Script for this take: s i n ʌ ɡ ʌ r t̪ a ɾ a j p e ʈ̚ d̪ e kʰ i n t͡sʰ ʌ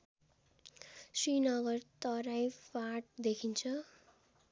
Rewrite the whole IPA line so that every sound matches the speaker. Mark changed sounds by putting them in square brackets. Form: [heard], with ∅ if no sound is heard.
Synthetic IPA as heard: s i n ʌ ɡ ʌ r t̪ [ʌ] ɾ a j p [a] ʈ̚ d̪ e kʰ i n t͡sʰ ʌ